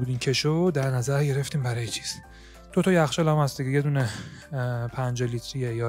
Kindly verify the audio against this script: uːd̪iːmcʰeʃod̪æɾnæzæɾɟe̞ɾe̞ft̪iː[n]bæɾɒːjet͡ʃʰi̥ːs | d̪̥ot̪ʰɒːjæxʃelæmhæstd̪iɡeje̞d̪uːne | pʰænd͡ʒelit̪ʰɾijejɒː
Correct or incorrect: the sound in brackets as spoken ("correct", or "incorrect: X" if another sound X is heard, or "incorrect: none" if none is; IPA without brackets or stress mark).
incorrect: m